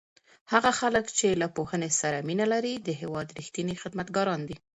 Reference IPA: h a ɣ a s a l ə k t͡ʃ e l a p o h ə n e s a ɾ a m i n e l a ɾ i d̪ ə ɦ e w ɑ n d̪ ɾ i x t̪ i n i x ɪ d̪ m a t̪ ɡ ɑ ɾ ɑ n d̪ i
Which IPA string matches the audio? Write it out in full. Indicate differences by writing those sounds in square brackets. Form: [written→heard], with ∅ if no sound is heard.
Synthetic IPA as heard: h a ɣ a [s→x] a l ə k t͡ʃ e l a p o h ə n e s a ɾ a m i n [e→a] l a ɾ i d̪ ə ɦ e w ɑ [n→∅] d̪ ɾ i x t̪ i n i x ɪ d̪ m a t̪ ɡ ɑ ɾ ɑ n d̪ i